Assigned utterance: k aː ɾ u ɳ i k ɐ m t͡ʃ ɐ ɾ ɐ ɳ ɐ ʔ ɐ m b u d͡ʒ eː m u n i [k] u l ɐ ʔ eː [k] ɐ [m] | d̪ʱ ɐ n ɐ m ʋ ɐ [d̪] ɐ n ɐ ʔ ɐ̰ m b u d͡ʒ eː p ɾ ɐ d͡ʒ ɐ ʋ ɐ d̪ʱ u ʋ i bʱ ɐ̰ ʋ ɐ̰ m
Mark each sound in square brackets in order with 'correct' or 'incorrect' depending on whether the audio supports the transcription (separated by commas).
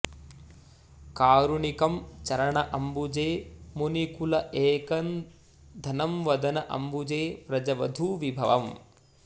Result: correct, correct, incorrect, correct